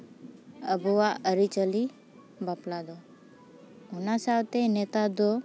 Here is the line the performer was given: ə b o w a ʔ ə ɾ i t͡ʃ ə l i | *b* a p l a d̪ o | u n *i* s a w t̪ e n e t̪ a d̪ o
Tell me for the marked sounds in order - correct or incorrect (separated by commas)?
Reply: correct, incorrect